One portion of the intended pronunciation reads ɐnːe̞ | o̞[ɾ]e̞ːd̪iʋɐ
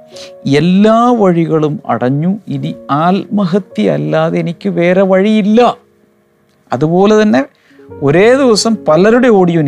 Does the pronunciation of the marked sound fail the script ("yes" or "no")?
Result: no